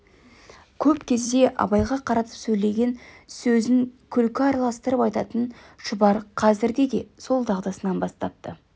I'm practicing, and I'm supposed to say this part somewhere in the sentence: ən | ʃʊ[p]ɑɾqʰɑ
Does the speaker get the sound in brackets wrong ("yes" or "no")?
yes